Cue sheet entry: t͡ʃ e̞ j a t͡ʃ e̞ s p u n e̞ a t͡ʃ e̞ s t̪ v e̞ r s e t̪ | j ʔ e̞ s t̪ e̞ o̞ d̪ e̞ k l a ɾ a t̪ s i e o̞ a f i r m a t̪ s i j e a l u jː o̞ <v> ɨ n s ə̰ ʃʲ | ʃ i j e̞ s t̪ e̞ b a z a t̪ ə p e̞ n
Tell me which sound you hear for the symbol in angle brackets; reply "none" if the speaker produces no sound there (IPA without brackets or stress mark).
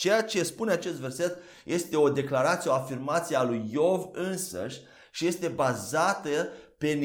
v